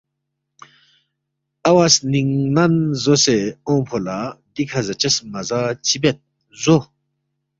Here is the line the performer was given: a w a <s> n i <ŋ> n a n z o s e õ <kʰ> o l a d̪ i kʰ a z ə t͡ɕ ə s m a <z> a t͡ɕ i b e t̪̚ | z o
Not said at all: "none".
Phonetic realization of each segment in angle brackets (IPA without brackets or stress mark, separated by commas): s, ŋ, pʰ, z